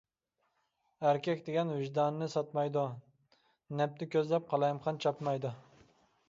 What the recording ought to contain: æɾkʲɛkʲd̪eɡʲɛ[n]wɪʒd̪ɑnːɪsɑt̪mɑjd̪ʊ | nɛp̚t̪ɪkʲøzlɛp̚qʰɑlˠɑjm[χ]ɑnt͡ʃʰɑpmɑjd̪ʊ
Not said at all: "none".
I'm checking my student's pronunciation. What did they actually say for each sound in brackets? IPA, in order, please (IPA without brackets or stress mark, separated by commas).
n, χ